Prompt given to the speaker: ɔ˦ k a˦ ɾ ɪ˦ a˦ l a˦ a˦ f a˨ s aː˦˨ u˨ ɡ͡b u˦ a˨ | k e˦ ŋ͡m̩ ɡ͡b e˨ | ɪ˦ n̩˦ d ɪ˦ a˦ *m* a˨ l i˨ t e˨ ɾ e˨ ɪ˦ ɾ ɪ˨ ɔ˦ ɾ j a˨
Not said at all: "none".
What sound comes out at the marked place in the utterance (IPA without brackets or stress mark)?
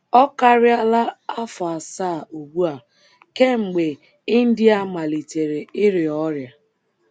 m